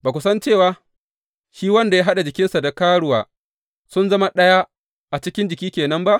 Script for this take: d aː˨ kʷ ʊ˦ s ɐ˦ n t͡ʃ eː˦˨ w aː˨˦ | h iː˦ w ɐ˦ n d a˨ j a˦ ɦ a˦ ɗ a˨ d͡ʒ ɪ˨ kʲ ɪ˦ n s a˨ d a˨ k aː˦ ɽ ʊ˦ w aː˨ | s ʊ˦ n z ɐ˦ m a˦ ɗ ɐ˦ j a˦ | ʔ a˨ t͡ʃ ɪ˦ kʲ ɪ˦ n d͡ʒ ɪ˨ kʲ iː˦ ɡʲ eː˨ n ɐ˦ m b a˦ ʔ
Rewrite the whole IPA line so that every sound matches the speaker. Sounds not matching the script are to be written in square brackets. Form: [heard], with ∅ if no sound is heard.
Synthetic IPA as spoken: [b] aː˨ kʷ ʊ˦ s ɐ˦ n t͡ʃ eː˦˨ w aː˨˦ | [ʃ] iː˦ w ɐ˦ n d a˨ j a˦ ɦ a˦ ɗ a˨ d͡ʒ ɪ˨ kʲ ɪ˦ n s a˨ d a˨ k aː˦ ɽ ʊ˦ w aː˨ | s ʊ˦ n z ɐ˦ m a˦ ɗ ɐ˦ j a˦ | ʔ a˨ t͡ʃ ɪ˦ kʲ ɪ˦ n d͡ʒ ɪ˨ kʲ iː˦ [kʲ] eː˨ n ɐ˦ m b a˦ ʔ